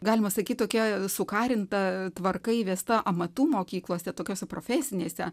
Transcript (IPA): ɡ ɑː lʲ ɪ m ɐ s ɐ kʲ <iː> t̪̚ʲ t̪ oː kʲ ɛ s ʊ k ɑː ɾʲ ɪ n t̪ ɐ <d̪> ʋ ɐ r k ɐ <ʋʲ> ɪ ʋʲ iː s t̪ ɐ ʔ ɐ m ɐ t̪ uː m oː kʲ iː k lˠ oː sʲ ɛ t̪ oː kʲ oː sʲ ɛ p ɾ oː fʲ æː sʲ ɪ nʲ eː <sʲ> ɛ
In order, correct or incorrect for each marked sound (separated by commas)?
incorrect, incorrect, incorrect, correct